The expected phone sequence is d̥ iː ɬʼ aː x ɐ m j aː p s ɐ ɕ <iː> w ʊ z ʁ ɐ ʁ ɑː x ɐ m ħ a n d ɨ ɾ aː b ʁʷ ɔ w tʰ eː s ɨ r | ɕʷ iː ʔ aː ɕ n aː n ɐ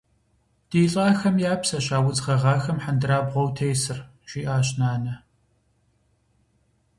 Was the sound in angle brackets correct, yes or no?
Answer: no